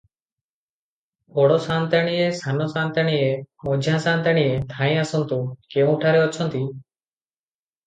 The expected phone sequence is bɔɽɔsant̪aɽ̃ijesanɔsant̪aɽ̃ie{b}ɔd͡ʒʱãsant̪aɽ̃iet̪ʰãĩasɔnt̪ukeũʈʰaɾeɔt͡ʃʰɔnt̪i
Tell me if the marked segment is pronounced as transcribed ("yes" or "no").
no